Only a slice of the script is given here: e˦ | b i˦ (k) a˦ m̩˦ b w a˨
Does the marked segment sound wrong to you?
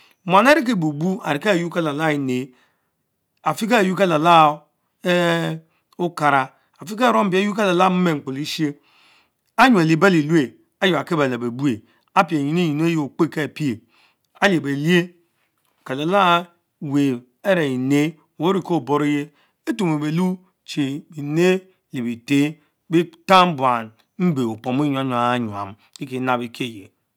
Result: yes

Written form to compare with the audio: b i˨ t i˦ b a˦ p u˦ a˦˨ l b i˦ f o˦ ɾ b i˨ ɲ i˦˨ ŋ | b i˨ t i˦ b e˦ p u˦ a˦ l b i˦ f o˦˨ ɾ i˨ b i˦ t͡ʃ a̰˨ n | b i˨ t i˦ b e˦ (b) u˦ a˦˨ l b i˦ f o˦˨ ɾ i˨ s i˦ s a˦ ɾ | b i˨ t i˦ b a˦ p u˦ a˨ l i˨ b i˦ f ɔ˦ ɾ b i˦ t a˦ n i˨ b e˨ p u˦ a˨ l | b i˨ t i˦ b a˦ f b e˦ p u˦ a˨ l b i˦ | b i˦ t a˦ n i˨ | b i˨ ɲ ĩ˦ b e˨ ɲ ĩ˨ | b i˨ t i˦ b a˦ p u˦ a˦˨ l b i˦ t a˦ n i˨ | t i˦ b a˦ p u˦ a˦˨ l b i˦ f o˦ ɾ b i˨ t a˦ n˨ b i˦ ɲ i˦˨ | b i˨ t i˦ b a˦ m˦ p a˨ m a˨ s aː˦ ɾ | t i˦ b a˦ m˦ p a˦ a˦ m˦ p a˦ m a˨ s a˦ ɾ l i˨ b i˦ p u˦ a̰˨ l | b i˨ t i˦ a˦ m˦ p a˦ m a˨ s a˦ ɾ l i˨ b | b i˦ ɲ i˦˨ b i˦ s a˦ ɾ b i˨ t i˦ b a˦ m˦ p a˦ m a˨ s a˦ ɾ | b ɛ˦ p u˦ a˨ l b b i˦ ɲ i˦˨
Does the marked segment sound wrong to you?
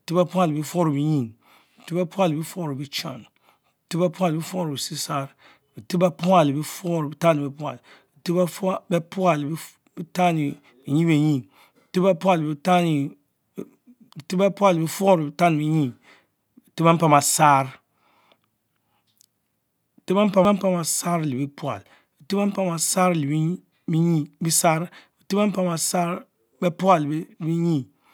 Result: yes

